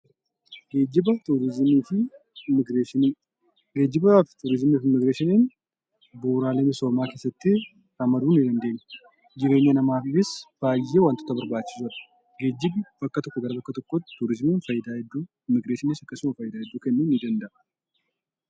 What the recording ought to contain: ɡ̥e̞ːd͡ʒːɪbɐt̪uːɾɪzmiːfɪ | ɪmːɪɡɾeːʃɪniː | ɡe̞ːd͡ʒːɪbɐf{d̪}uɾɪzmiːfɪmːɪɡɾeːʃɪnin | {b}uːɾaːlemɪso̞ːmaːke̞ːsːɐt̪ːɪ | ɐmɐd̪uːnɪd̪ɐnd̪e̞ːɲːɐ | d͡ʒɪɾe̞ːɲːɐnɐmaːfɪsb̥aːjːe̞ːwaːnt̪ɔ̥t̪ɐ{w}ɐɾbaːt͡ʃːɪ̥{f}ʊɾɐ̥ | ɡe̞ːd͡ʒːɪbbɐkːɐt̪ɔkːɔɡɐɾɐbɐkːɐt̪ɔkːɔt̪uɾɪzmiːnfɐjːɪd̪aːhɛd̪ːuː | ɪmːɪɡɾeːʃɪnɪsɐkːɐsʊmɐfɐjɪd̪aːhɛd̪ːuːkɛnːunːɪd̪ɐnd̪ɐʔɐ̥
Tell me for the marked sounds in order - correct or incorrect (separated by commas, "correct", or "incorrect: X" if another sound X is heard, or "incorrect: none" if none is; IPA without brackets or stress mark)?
incorrect: t̪, correct, incorrect: b, incorrect: s